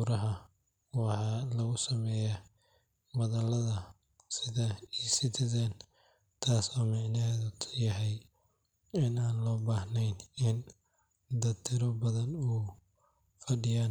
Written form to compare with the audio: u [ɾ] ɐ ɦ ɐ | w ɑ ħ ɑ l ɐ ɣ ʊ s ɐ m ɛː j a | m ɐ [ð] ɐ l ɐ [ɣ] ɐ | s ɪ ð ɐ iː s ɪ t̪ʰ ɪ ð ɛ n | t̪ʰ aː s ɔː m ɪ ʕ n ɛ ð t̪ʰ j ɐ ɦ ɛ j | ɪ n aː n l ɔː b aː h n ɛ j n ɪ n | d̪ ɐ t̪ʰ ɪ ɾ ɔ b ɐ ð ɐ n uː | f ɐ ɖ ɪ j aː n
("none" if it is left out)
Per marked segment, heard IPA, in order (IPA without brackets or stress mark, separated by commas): ɾ, ð, ð